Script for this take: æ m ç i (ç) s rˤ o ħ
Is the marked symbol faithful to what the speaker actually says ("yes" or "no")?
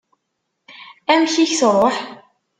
yes